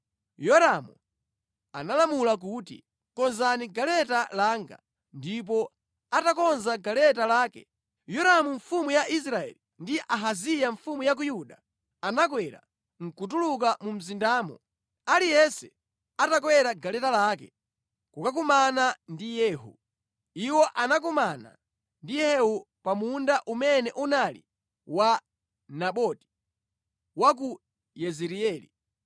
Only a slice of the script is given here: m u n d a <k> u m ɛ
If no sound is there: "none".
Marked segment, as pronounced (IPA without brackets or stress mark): ʔ